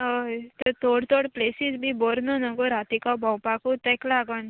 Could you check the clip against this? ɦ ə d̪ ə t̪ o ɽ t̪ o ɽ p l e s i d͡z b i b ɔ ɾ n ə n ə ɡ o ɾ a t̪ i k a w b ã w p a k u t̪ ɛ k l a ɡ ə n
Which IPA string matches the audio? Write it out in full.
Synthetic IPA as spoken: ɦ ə t̪ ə t̪ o ɽ t̪ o ɽ p l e s i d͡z b i b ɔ ɾ n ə n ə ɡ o ɾ a t̪ i k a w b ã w p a k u t̪ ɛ k l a ɡ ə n